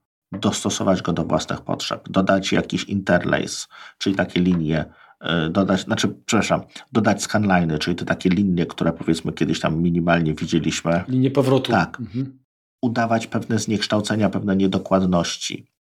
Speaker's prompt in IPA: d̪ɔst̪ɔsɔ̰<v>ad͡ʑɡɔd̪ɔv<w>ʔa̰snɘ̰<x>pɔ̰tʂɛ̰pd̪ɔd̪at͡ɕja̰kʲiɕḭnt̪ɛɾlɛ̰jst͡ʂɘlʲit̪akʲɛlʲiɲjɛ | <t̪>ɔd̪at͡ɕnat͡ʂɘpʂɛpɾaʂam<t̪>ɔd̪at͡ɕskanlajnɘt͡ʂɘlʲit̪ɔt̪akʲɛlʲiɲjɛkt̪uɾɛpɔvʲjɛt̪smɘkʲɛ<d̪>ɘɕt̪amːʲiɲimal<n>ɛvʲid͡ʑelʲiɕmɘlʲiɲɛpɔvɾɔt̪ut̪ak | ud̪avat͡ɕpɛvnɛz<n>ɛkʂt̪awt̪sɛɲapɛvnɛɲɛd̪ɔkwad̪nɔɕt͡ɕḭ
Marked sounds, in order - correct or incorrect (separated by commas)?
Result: correct, correct, correct, incorrect, incorrect, correct, incorrect, incorrect